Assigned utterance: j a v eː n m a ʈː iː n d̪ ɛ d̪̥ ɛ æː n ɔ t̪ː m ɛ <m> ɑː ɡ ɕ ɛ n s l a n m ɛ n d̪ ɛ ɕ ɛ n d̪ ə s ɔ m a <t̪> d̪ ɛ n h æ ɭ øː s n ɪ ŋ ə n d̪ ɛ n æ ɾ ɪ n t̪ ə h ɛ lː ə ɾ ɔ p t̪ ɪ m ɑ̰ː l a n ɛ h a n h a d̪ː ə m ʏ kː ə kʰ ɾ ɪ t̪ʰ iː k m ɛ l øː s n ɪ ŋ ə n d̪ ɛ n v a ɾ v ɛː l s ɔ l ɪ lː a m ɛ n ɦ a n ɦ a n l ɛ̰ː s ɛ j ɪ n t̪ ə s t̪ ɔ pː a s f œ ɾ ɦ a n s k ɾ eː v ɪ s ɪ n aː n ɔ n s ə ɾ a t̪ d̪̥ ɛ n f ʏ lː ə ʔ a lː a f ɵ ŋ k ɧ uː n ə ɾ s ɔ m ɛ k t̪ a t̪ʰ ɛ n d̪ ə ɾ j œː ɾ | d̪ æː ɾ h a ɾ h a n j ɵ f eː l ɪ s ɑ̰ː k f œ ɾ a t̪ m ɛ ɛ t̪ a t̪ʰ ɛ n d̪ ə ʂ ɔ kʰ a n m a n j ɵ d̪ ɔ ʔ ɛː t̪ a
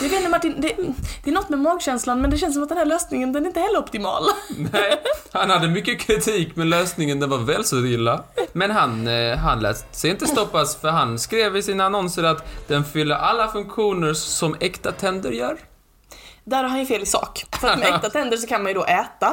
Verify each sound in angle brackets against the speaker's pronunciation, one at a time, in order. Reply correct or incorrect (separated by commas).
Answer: correct, correct